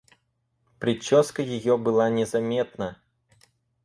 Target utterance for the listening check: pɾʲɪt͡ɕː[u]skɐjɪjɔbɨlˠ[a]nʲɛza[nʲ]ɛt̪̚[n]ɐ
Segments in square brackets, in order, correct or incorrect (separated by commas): incorrect, correct, incorrect, correct